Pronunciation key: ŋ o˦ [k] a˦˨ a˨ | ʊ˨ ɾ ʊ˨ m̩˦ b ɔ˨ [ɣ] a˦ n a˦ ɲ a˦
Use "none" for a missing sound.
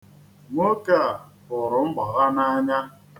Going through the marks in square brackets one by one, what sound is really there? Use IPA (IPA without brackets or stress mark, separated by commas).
k, ɣ